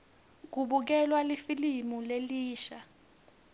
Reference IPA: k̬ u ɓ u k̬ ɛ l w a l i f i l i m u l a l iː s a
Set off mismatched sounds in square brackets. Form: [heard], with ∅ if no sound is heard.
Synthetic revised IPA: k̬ u ɓ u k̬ ɛ l w a l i f i l i m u l [e] l iː [ʃ] a